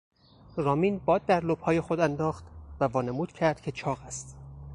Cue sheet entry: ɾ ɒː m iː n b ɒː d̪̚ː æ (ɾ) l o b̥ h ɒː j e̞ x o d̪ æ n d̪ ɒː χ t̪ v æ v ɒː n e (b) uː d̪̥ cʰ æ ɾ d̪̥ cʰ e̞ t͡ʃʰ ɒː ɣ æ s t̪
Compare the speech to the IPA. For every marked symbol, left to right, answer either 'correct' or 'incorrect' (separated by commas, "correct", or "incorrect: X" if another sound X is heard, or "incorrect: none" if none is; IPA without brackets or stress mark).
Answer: correct, incorrect: m